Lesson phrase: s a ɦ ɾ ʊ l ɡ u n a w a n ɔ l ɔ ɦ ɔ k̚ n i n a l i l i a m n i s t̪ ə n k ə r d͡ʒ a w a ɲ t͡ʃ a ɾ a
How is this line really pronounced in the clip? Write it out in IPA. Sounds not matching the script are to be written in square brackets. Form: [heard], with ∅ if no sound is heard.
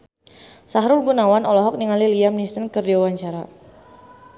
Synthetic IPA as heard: s a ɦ ɾ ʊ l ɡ u n a w a n ɔ l ɔ ɦ ɔ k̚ n i [ŋ] a l i l i a m n i s t̪ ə n k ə r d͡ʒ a w a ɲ t͡ʃ a ɾ a